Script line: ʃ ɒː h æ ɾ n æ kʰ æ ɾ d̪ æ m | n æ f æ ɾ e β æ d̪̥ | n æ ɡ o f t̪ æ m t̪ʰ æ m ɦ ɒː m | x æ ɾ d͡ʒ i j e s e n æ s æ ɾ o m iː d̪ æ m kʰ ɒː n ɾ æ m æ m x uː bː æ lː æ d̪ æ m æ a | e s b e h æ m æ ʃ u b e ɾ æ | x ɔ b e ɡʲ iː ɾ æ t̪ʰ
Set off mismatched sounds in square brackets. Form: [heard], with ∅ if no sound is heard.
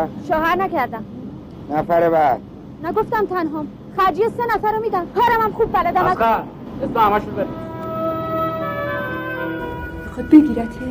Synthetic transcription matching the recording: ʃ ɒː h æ ɾ n æ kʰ æ ɾ d̪ æ m | n æ f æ ɾ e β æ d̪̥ | n æ ɡ o f t̪ æ m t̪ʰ æ [n] ɦ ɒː m | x æ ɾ d͡ʒ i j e s e n æ [f] æ ɾ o m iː d̪ æ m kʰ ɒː [∅] ɾ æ m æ m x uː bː æ [l] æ d̪ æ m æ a | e s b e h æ m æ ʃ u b e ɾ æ | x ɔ b e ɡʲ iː ɾ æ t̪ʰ